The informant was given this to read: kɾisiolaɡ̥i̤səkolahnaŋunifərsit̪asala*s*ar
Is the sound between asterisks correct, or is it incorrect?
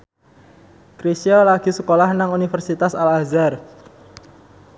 incorrect: z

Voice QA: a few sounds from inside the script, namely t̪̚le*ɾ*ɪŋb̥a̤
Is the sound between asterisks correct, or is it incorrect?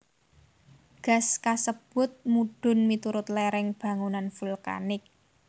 correct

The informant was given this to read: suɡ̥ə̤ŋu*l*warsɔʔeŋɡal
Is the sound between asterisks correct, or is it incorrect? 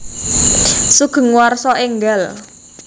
incorrect: none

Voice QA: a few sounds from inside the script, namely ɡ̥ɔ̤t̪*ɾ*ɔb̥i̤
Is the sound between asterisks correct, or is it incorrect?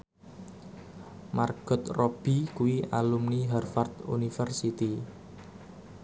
incorrect: r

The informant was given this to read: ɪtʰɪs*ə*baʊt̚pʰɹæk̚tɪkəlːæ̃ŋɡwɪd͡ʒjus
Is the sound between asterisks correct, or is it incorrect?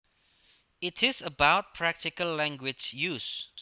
correct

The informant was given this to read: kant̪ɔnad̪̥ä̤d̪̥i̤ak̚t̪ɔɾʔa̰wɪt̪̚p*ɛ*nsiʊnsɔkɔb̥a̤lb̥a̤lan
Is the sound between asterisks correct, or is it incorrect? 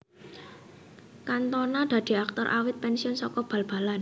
correct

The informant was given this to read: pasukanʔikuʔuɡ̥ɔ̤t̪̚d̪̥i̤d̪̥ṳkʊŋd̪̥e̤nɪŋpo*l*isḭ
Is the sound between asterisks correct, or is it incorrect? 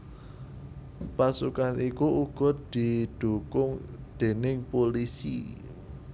correct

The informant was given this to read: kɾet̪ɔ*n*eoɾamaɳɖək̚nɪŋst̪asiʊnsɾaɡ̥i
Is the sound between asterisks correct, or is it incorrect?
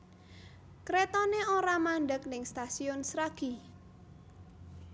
correct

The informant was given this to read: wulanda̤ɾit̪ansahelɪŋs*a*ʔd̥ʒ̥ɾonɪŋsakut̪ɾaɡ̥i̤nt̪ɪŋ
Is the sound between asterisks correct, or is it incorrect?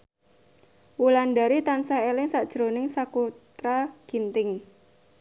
correct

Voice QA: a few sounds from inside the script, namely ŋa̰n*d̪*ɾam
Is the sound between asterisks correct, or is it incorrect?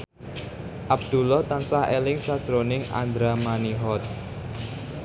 correct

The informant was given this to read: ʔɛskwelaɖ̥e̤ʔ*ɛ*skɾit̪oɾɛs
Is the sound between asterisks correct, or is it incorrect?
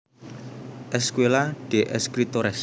correct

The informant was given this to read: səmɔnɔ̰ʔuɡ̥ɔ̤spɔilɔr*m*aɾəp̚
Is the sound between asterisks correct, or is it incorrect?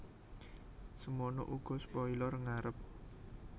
incorrect: ŋ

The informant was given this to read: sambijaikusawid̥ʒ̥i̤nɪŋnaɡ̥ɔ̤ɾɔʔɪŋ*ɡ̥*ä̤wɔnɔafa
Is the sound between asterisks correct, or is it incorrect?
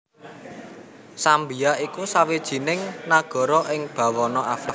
incorrect: b̥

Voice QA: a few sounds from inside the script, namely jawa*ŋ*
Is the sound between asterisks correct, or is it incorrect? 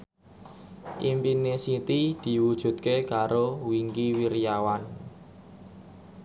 incorrect: n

